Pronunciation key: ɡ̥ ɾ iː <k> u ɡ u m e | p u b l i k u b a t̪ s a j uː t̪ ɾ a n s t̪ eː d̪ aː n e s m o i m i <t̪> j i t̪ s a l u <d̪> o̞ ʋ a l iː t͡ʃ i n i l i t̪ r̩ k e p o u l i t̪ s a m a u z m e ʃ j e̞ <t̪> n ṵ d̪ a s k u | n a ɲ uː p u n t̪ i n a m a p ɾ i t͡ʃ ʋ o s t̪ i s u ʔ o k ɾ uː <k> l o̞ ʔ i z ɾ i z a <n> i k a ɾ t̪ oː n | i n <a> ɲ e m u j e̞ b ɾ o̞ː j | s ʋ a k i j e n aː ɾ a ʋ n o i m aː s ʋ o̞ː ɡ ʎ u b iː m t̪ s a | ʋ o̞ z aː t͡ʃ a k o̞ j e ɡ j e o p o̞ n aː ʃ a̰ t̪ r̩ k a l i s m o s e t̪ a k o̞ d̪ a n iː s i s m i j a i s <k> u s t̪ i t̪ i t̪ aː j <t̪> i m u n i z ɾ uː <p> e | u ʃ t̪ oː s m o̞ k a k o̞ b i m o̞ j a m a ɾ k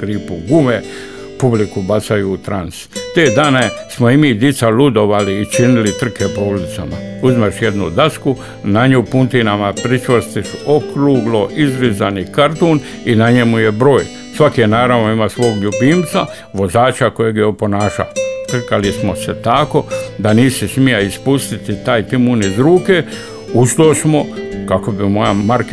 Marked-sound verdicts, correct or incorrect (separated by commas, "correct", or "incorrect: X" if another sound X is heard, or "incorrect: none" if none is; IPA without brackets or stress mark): incorrect: p, incorrect: d̪, correct, incorrect: d̪, incorrect: ɡ, correct, correct, incorrect: p, correct, incorrect: k